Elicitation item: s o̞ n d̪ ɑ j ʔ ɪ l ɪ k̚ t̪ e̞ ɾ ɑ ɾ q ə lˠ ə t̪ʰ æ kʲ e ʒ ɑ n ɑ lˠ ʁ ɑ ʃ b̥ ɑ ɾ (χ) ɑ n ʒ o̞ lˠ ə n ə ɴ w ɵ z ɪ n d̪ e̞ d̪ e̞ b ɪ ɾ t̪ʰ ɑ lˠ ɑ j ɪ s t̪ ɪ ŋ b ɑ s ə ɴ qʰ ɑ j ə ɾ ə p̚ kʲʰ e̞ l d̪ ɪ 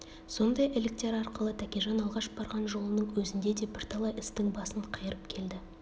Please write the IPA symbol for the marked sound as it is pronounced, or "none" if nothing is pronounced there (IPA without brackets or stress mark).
ʁ